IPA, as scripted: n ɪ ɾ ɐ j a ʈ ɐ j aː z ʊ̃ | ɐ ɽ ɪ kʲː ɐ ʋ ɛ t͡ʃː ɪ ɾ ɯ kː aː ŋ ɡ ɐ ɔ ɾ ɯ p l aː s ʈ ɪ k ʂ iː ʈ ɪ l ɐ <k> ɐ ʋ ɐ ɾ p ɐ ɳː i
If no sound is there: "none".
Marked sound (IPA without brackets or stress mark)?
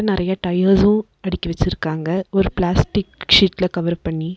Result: k